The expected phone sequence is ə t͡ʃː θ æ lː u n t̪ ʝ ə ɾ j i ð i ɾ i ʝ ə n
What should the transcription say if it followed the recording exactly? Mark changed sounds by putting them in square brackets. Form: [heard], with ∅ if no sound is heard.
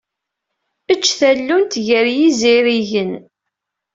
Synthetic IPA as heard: ə t͡ʃː θ æ lː u n t̪ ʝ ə ɾ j i [z] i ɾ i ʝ ə n